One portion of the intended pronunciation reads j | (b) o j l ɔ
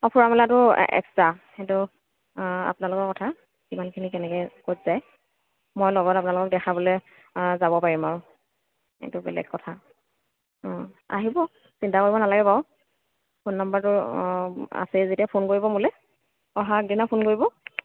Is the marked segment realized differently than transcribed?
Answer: yes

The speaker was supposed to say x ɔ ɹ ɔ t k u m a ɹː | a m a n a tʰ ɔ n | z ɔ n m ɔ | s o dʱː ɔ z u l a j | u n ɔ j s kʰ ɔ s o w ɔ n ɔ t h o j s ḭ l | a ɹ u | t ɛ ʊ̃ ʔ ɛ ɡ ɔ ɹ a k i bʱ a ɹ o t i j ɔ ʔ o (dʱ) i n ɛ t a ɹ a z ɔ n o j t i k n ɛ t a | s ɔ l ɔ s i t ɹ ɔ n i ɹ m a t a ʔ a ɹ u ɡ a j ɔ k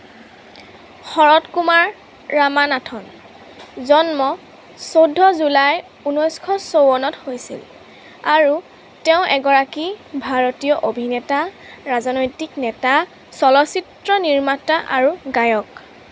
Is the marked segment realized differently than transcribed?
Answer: yes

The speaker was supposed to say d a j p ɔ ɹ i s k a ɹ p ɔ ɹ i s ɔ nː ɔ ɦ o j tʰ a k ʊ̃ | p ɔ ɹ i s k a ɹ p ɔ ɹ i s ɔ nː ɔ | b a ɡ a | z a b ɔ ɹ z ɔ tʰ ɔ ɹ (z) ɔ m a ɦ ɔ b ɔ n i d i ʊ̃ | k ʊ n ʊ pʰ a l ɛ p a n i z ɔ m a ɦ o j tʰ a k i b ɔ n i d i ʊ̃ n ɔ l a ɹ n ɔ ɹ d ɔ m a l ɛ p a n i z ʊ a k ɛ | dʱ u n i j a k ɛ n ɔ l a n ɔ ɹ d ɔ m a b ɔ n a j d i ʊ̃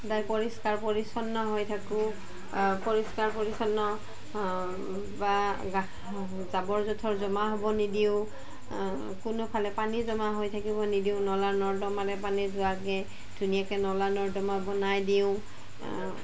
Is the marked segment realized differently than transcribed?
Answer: no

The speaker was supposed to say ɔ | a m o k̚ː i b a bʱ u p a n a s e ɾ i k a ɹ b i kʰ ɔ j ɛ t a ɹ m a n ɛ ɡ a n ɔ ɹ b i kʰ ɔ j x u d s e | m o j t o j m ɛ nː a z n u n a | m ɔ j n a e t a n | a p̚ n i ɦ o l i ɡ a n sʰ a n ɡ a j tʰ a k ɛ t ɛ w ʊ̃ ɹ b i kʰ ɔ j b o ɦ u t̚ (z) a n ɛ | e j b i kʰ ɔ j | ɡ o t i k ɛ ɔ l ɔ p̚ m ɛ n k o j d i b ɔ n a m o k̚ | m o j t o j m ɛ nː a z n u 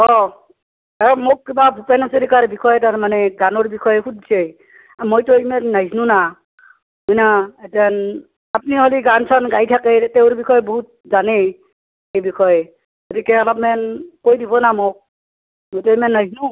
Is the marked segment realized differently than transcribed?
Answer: no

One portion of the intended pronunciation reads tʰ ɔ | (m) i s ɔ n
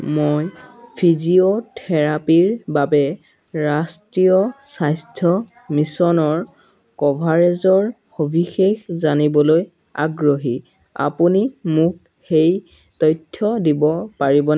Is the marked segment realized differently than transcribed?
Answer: no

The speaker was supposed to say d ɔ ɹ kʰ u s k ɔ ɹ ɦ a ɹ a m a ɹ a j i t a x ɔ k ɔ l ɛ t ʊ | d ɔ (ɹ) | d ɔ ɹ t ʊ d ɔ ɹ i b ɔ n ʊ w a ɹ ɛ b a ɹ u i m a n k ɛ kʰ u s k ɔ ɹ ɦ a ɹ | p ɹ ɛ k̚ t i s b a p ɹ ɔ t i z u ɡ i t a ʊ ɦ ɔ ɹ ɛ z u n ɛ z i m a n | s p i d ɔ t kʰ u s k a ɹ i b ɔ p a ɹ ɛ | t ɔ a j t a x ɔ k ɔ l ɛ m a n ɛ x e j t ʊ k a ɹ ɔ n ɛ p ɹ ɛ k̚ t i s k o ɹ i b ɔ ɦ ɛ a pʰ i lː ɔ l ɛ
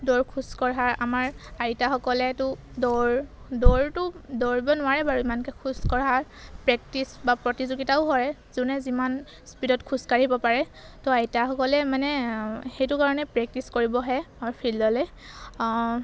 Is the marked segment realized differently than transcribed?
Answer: no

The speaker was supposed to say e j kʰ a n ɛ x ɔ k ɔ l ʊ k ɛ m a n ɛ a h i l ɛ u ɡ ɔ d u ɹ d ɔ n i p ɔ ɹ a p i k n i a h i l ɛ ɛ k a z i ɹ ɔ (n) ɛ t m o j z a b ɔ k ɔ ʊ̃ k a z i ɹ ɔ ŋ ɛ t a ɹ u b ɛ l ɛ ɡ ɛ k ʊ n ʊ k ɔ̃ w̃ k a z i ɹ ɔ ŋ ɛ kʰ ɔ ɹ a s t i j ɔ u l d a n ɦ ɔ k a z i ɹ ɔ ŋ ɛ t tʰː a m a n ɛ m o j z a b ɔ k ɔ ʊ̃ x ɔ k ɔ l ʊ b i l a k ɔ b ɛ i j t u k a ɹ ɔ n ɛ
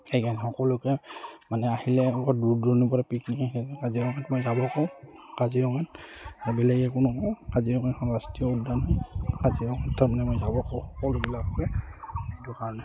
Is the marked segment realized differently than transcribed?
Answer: yes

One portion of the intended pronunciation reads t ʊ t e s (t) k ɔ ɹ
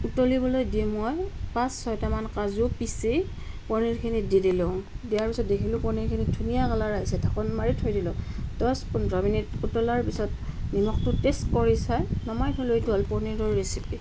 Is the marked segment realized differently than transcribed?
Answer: no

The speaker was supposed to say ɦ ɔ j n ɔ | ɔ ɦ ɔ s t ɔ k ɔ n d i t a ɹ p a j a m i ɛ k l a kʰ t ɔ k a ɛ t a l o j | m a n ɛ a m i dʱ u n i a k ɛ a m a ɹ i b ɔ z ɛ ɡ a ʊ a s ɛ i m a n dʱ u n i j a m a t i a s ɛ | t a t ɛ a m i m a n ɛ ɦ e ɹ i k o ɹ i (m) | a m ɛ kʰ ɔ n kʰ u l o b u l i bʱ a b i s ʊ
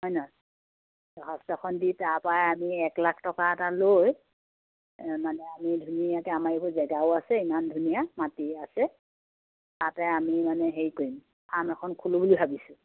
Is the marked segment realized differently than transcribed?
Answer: no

